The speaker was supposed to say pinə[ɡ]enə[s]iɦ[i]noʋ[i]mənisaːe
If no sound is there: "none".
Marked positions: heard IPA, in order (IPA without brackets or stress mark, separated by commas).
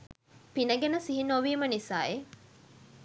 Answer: ɡ, s, i, iː